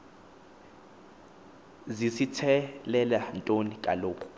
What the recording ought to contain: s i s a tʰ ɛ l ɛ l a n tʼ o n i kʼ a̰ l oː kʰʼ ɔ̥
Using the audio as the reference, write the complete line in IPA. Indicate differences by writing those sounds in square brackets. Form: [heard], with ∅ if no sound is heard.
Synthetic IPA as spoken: [z] i s [i] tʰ ɛ l ɛ l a n tʼ o n i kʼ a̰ l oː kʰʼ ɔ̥